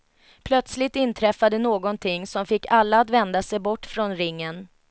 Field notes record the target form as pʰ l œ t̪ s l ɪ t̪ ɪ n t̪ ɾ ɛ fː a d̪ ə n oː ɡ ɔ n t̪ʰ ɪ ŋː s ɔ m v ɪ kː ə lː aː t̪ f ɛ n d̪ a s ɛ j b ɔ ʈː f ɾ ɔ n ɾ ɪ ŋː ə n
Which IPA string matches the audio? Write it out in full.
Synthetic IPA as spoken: pʰ l œ t̪ s l ɪ t̪ ɪ n t̪ʰ ɾ ɛ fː a d̪ ə n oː ɡ ɔ n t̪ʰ ɪ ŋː s ɔ m f ɪ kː a lː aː t̪ v ɛ n d̪ a s ɛ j b ɔ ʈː f ɾ ɔ n ɾ ɪ ŋː ə n